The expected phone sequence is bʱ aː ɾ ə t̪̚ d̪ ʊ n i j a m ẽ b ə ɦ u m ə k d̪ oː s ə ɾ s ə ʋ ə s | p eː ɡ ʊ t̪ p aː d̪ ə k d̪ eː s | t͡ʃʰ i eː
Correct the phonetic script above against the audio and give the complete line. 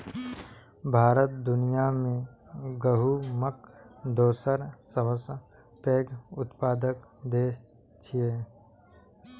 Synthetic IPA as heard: bʱ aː ɾ ə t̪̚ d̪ ʊ n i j a m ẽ ɡ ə ɦ u m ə k d̪ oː s ə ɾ s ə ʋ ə s | p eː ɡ ʊ t̪ p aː d̪ ə k d̪ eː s | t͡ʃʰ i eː